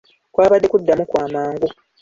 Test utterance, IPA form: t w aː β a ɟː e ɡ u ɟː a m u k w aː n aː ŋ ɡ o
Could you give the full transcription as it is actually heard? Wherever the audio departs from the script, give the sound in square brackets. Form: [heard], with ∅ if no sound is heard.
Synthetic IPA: [k] w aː β a [dː] e [k] u [dː] a m u k w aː [m] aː ŋ ɡ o